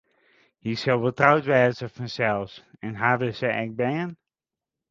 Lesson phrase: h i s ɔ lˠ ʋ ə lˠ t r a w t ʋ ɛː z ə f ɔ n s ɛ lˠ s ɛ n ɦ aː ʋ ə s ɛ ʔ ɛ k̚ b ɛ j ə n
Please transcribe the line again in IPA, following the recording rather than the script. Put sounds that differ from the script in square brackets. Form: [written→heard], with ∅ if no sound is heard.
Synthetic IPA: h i s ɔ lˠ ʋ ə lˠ t r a w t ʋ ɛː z ə f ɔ n s ɛ lˠ s ɛ n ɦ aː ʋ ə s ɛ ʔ ɛ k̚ b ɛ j ə n